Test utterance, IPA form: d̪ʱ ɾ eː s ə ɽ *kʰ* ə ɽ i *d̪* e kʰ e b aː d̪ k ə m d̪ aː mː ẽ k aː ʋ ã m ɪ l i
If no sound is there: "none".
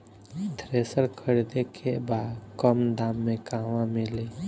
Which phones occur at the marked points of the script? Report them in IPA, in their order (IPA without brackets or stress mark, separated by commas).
kʰ, d̪